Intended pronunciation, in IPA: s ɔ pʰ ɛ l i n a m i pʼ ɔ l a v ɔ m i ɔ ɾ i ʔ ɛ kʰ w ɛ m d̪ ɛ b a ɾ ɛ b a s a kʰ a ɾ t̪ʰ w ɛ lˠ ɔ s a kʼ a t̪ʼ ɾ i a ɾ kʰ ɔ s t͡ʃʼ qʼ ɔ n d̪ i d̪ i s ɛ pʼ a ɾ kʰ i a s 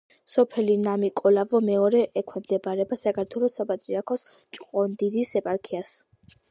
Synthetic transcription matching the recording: s ɔ pʰ ɛ l i n a m i kʼ ɔ l a v ɔ m ɛ ɔ ɾ ɛ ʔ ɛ kʰ w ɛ m d̪ ɛ b a ɾ ɛ b a s a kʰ a ɾ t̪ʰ w ɛ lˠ ɔ s a pʼ a t̪ʼ ɾ i a ɾ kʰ ɔ s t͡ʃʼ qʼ ɔ n d̪ i d̪ i s ɛ pʼ a ɾ kʰ i a s